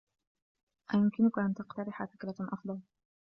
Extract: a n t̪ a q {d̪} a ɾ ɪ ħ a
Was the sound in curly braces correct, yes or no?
no